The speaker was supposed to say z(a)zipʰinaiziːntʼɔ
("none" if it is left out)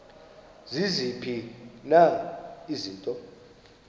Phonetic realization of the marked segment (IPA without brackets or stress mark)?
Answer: i